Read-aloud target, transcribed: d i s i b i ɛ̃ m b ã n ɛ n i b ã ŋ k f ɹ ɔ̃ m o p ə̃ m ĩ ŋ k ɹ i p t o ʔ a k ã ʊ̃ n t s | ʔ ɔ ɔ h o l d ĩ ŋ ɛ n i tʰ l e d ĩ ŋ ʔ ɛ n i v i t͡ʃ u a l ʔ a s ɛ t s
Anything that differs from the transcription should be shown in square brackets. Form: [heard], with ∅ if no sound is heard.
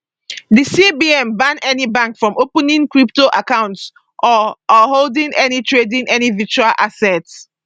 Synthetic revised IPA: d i s i b i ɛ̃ m b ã n ɛ n i b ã ŋ k f ɹ ɔ̃ m o p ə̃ [n] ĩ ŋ k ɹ i p t o ʔ a k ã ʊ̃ n t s | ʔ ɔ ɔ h o l d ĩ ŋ ɛ n i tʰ [ɹ] e d ĩ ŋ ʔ ɛ n i v i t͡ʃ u a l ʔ a s ɛ t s